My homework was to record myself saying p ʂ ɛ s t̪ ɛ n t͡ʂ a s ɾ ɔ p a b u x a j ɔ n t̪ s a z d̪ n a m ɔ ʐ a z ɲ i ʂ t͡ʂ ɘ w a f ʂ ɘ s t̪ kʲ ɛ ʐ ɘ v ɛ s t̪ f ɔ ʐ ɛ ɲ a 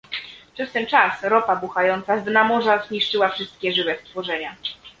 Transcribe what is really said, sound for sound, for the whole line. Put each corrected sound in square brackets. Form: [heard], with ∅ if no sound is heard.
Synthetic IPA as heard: p ʂ ɛ s t̪ ɛ n t͡ʂ a s ɾ ɔ p a b u x a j ɔ n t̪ s a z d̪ n a m ɔ ʐ a z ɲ i ʂ t͡ʂ ɘ w a f ʂ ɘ s t̪ kʲ ɛ ʐ ɘ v ɛ s t̪ f ɔ ʐ ɛ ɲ a